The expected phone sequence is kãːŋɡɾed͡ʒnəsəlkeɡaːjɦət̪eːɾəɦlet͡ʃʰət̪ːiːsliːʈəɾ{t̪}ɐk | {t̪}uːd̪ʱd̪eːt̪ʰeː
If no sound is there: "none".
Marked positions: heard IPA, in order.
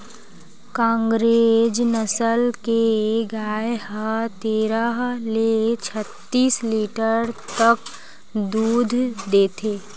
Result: t̪, d̪

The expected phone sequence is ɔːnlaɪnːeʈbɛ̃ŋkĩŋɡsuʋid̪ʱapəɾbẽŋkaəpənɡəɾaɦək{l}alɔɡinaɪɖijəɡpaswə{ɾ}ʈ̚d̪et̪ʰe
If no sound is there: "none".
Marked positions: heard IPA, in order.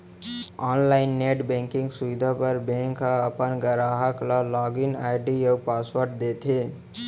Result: l, ɾ

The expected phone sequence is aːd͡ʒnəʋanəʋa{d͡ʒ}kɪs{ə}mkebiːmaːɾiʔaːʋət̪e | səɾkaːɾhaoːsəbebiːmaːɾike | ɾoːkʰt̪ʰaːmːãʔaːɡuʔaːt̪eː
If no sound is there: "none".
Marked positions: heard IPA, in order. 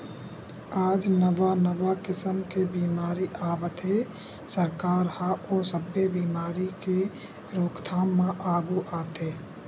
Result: none, ə

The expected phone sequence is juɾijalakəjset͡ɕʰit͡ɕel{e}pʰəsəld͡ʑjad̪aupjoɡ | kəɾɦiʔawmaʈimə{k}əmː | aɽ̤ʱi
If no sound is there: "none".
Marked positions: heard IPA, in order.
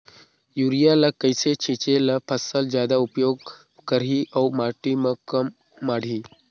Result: a, k

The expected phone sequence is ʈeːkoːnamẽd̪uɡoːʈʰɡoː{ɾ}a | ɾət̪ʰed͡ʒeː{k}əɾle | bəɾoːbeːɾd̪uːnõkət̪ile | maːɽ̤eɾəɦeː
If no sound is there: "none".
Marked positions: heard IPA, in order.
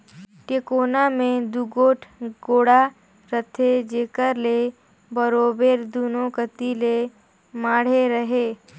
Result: ɽ, k

